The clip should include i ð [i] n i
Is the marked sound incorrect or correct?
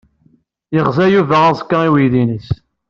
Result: correct